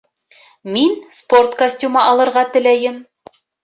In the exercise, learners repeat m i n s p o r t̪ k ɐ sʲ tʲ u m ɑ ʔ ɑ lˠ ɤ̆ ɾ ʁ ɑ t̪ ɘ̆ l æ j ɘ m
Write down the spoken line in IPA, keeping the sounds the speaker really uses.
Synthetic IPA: m i n s p o r t̪ k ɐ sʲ tʲ u m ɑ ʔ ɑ lˠ ɤ̆ ɾ ʁ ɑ t̪ ɘ̆ l æ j ɘ m